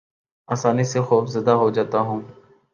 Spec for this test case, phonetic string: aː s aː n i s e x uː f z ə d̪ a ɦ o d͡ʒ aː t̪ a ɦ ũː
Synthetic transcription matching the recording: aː s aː n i s e x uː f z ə d̪ a ɦ o d͡ʒ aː t̪ a ɦ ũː